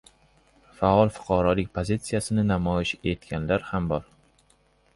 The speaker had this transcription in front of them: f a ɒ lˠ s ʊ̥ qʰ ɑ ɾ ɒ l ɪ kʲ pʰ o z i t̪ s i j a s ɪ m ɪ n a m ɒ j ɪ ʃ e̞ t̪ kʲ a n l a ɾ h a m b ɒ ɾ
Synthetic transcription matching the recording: f a ɒ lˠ f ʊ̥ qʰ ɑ ɾ ɒ l ɪ kʲ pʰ o z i t̪ s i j a s ɪ n ɪ n a m ɒ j ɪ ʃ e̞ t̪ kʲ a n l a ɾ h a m b ɒ ɾ